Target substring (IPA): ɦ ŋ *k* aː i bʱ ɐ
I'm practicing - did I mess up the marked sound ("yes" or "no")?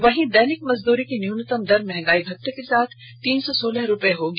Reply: yes